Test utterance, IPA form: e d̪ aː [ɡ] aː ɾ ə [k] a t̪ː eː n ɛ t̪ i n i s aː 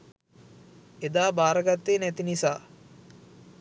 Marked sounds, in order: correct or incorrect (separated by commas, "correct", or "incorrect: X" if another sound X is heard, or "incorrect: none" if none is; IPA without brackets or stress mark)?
incorrect: b, incorrect: ɡ